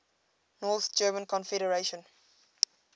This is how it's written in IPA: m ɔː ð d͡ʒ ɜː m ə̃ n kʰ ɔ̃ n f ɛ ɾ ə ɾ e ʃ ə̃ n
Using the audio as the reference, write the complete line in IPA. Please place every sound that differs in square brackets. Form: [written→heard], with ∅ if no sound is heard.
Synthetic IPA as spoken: [m→n] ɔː [ð→θ] d͡ʒ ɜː m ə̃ n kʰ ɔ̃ n f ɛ ɾ ə [ɾ→ɹ] e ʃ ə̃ n